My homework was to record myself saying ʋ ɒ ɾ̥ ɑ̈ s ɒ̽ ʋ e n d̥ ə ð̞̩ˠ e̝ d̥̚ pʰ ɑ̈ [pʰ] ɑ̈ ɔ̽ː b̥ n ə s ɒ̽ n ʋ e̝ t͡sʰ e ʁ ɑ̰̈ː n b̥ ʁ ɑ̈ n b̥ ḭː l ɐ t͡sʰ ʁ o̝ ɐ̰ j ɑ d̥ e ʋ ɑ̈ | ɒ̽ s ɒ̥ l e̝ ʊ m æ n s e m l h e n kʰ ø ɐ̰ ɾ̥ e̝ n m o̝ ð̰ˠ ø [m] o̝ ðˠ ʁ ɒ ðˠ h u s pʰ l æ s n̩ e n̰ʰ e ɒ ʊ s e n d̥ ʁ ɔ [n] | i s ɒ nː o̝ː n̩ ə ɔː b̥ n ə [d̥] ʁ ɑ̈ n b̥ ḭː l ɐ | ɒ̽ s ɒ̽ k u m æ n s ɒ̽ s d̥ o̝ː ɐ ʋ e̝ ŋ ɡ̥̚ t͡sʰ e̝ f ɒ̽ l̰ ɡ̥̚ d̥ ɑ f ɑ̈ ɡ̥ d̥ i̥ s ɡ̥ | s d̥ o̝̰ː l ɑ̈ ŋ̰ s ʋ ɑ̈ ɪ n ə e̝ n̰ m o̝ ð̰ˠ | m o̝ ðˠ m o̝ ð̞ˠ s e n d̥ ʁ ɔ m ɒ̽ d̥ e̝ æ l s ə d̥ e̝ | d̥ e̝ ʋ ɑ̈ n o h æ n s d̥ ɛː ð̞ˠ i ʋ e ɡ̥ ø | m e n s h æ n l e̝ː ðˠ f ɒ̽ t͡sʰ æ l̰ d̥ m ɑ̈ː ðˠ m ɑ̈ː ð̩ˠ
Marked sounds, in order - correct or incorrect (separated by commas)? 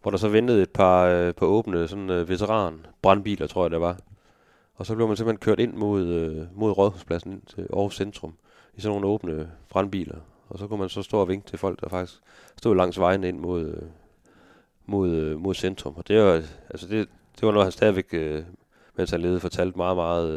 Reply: correct, correct, incorrect, incorrect